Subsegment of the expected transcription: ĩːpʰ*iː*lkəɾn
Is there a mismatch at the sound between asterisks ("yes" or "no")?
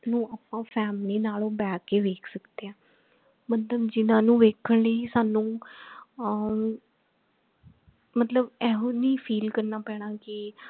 no